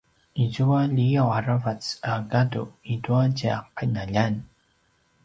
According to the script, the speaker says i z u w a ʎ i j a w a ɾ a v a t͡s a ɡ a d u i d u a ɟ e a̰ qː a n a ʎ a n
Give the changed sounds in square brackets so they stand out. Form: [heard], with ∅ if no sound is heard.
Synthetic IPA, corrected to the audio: i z u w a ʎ i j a w a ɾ a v a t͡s a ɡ a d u i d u a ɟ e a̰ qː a n a ʎ a n